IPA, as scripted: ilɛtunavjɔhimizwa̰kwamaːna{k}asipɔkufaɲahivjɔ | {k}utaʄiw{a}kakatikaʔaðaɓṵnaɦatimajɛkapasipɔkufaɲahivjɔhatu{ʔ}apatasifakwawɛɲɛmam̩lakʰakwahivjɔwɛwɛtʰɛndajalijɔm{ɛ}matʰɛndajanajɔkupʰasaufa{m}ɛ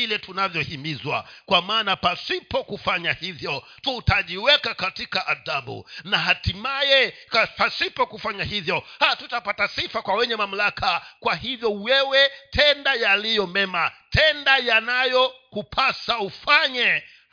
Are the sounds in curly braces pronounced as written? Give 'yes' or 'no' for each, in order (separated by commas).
no, no, no, no, yes, no